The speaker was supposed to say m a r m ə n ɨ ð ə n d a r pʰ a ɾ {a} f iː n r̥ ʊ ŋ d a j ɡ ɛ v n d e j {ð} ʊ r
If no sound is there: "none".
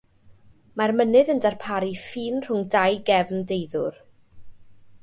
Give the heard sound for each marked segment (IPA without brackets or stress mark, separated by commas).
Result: i, ð